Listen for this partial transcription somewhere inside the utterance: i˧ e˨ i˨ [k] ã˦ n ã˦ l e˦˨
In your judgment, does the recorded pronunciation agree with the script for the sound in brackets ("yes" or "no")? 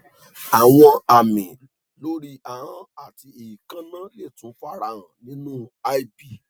yes